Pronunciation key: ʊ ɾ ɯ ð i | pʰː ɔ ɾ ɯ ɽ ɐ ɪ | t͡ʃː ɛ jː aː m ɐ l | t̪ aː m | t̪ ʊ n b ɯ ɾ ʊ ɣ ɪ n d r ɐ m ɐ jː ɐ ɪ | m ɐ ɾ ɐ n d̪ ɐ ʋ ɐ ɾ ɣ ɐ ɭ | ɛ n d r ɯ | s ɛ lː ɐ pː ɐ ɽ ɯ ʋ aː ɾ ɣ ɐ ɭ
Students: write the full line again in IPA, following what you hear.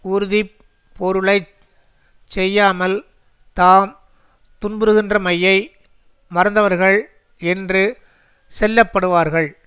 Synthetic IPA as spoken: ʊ ɾ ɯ ð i | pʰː ɔ ɾ ɯ ɭ ɐ ɪ | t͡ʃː ɛ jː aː m ɐ l | t̪ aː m | t̪ ʊ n b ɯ ɾ ɯ ɣ ɪ n d r ɐ m ɐ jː ɐ ɪ | m ɐ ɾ ɐ n d̪ ɐ ʋ ɐ ɾ ɣ ɐ ɭ | ɛ n d r ɯ | s ɛ lː ɐ pː ɐ ɽ ɯ ʋ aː ɾ ɣ ɐ ɭ